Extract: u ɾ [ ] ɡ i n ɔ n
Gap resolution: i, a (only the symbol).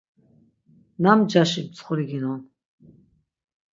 i